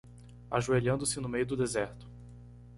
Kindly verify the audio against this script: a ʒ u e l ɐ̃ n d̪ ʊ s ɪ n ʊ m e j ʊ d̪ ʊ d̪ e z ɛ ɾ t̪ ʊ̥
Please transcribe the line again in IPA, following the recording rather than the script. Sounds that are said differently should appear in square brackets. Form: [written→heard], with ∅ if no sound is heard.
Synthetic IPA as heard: a ʒ u e [l→ʎ] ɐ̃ n d̪ ʊ s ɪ n ʊ m e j ʊ d̪ ʊ d̪ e z ɛ ɾ t̪ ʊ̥